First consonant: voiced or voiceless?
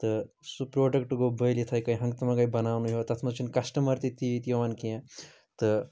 voiceless